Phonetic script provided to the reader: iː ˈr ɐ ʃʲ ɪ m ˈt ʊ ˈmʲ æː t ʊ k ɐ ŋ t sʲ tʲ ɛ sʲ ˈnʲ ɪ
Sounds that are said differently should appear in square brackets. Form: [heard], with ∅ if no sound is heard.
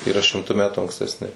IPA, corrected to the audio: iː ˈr ɐ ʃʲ ɪ m ˈt ʊ ˈmʲ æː t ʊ [∅] ɐ ŋ [k] sʲ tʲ ɛ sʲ ˈnʲ ɪ